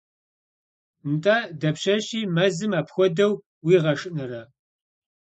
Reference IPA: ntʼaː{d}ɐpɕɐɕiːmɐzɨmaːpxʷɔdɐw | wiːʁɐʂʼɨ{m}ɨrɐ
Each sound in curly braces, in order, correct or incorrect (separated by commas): correct, incorrect